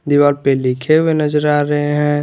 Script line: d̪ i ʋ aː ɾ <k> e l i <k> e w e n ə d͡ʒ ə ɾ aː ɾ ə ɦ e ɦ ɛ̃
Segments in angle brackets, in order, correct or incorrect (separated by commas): incorrect, incorrect